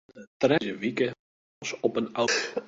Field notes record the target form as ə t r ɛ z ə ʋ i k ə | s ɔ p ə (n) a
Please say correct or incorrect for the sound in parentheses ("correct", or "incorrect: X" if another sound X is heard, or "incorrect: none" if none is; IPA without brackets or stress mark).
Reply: correct